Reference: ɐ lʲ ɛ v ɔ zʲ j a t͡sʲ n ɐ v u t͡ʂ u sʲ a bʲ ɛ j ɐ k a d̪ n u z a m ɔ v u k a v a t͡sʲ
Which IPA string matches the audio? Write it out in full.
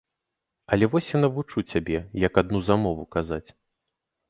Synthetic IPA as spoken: ɐ lʲ ɛ v ɔ sʲ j a n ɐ v u t͡ʂ u t͡sʲ a bʲ ɛ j ɐ k a d̪ n u z a m ɔ v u k a z a t͡sʲ